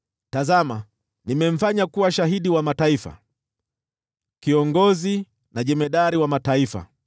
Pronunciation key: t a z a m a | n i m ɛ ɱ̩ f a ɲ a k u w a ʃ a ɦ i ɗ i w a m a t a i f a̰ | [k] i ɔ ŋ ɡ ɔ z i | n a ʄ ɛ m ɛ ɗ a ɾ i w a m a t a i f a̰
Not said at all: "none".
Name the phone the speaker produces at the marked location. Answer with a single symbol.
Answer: k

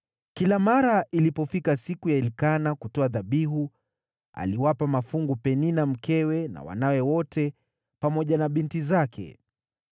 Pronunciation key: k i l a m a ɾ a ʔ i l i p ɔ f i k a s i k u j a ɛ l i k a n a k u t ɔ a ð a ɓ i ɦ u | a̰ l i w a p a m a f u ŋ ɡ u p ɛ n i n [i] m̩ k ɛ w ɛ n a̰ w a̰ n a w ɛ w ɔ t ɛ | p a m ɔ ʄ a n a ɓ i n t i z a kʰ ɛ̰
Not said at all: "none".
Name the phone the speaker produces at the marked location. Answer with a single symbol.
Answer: a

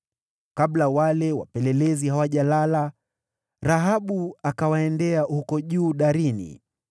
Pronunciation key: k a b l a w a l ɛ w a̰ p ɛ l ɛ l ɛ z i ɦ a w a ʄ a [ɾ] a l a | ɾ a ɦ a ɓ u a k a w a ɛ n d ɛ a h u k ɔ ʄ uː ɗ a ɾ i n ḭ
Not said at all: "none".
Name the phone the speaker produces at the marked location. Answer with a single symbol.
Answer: l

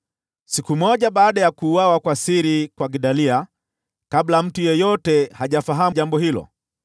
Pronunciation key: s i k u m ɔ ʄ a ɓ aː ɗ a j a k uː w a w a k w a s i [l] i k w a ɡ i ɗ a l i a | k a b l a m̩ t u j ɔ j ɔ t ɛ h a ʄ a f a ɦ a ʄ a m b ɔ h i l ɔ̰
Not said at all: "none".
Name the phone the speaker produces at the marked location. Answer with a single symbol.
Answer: ɾ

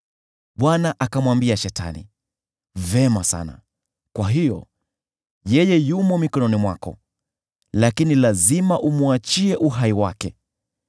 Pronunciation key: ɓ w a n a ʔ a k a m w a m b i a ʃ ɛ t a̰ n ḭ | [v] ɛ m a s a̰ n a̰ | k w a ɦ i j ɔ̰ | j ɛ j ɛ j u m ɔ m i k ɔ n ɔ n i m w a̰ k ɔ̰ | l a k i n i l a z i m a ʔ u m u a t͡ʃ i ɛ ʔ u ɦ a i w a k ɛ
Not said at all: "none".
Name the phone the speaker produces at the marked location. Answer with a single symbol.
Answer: v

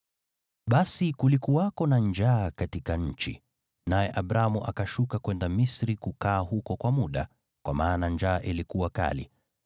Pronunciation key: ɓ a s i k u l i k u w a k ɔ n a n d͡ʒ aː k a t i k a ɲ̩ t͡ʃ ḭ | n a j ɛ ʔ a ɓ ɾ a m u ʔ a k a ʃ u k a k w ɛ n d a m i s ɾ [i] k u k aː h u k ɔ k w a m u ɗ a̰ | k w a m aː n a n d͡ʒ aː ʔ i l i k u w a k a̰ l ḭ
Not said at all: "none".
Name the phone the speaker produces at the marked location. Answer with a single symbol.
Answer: i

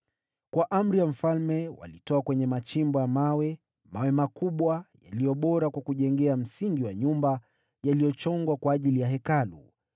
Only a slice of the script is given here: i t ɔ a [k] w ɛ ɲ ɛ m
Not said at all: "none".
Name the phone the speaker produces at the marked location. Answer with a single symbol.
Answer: k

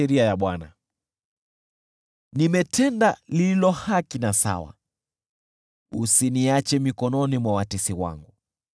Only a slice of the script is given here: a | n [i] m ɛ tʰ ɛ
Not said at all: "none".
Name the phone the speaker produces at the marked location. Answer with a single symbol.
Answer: i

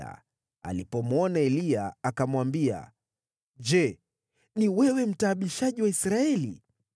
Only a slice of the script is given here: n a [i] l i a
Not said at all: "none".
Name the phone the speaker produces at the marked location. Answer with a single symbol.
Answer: ɛ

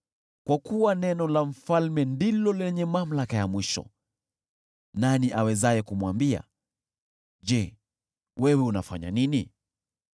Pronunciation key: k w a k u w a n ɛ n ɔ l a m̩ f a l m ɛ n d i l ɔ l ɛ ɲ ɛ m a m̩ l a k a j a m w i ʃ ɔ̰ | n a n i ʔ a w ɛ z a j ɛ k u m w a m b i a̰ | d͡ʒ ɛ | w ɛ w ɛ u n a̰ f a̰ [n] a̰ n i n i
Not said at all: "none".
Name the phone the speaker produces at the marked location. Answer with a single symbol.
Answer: ɲ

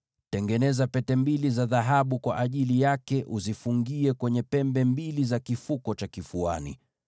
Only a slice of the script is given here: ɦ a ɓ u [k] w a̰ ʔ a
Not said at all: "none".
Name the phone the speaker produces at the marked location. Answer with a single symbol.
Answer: k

